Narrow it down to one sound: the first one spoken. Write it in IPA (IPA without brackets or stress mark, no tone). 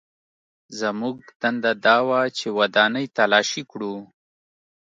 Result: z